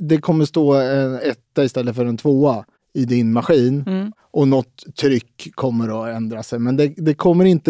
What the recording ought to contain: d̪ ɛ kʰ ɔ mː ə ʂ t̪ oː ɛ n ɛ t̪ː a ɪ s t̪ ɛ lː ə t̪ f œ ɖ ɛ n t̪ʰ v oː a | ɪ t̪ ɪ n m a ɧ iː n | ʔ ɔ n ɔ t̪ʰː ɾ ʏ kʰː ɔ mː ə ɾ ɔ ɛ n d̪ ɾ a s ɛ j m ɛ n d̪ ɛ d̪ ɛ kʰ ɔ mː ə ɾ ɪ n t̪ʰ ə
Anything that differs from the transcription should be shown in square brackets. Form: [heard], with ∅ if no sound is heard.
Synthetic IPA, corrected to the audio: d̪ ɛ kʰ ɔ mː ə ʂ t̪ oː ɛ n ɛ t̪ː a ɪ s t̪ ɛ lː ə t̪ f œ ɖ ɛ n t̪ʰ v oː a | ɪ [d̪] ɪ n m a ɧ iː n | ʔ ɔ n ɔ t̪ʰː ɾ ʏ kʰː ɔ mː ə ɾ ɔ ɛ n d̪ ɾ a s ɛ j m ɛ n d̪ ɛ d̪ ɛ kʰ ɔ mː ə ɾ ɪ n [t̪] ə